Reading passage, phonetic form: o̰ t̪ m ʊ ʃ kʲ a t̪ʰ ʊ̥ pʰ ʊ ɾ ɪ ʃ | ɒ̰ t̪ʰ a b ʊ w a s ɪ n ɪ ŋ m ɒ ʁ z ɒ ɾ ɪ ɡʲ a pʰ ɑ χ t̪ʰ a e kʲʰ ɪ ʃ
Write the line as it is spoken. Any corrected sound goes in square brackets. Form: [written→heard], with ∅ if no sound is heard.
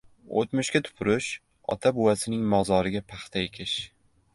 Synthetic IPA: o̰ t̪ m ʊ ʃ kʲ a t̪ʰ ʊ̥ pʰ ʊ ɾ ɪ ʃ | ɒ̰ t̪ʰ a b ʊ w a s ɪ n ɪ ŋ m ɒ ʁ z ɒ ɾ ɪ ɡʲ a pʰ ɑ χ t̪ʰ a e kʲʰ ɪ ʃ